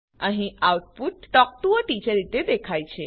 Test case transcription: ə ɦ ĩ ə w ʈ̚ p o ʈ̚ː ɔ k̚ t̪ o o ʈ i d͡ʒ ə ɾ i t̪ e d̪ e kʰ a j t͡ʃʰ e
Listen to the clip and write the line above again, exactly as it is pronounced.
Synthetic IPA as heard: ə ɦ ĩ a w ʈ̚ p u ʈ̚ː ɔ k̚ t̪ u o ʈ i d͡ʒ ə ɾ i t̪ e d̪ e kʰ a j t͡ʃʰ e